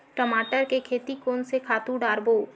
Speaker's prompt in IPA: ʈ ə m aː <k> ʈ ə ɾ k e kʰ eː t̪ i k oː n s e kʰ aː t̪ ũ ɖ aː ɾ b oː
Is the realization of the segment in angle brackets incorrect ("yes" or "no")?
yes